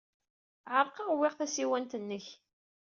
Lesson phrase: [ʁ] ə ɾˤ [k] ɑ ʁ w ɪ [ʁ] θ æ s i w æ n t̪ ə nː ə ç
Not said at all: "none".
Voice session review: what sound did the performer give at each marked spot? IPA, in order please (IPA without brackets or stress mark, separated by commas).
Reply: ʕ, q, ʁ